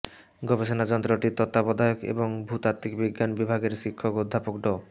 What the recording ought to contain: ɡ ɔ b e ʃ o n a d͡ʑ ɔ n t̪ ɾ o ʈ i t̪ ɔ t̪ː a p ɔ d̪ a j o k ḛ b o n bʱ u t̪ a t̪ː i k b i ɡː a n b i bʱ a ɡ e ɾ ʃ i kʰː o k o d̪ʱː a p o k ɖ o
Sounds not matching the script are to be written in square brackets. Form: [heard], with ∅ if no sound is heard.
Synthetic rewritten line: ɡ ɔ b e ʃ o n a d͡ʑ ɔ n t̪ ɾ o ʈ i t̪ ɔ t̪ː a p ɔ d̪ a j o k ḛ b o [ŋ] bʱ u t̪ a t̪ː i k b i ɡː a n b i bʱ a ɡ e ɾ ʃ i kʰː o k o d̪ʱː a p o k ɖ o